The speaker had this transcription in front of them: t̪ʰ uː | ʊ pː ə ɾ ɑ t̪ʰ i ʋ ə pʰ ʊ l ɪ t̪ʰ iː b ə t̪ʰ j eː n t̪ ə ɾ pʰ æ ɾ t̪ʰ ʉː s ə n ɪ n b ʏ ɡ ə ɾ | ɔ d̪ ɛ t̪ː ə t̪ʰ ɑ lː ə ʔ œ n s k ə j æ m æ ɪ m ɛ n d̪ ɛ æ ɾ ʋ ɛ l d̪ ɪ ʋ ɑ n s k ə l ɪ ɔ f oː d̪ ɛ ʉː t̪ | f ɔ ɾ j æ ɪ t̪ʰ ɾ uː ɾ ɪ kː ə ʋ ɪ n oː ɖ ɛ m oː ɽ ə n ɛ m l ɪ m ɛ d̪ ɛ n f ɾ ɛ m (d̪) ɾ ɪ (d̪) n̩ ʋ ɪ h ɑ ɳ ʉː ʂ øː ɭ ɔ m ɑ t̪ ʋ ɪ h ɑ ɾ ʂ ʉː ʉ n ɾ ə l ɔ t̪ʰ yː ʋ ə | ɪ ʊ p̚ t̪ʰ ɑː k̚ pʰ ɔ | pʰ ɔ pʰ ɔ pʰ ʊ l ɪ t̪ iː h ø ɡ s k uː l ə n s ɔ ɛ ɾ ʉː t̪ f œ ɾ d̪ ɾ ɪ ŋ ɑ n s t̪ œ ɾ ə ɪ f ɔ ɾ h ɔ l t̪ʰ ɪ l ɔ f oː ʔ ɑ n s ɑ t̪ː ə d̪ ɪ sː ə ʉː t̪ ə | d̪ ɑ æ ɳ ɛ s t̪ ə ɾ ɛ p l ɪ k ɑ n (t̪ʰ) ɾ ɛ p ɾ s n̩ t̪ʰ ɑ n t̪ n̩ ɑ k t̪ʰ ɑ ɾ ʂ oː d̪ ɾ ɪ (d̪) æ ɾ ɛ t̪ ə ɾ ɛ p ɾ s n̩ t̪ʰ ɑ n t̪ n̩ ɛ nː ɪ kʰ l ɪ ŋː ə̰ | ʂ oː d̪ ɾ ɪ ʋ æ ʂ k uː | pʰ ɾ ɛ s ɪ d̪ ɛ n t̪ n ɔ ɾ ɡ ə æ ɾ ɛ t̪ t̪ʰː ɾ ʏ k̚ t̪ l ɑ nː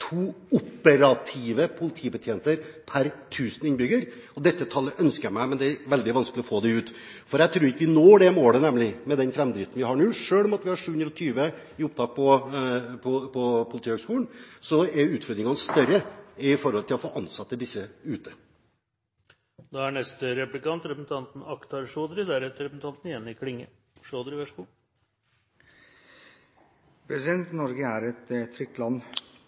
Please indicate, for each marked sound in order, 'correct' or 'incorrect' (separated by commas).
correct, incorrect, incorrect, correct